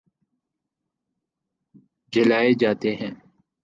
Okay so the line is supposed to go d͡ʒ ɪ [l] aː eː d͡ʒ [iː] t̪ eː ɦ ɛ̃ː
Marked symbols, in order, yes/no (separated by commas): yes, no